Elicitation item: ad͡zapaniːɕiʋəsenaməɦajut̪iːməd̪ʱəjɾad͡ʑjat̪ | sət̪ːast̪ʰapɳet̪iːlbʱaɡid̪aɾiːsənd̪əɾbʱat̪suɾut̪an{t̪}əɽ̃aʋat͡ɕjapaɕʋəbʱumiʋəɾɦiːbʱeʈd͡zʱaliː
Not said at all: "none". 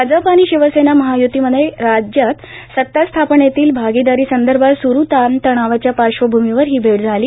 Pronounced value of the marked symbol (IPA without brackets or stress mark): t̪